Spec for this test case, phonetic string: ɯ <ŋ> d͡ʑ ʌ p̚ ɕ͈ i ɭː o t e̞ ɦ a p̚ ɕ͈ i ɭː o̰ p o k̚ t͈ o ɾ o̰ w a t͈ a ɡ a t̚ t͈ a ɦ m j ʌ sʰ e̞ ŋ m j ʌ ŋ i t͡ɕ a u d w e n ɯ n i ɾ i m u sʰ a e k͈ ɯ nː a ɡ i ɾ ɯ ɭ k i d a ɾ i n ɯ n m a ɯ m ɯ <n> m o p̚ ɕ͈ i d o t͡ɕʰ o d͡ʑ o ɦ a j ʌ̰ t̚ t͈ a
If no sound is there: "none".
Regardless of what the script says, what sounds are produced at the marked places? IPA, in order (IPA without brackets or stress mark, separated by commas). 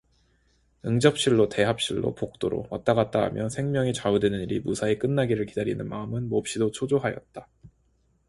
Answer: ŋ, n